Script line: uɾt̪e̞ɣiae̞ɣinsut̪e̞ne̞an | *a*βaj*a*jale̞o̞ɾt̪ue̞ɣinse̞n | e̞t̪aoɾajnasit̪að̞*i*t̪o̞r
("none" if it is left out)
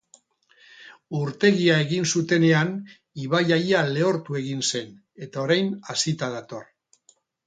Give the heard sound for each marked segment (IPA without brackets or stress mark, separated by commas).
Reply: i, a, a